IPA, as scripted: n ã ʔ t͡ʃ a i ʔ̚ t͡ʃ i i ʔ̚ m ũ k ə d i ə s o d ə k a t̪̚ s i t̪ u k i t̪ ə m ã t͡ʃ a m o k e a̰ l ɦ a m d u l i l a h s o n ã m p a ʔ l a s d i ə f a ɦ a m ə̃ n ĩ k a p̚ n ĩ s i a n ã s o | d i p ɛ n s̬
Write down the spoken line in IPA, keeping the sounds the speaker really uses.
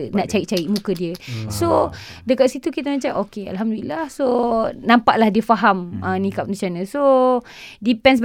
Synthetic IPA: n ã ʔ t͡ʃ a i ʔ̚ t͡ʃ a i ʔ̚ m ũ k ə d i ə s o d ə k a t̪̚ s i t̪ u k i t̪ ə m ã t͡ʃ a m o k e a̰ l ɦ a m d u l i l a h s o n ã m p a ʔ l a h d i ə f a ɦ a m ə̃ n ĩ k a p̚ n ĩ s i a n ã s o | d i p ɛ n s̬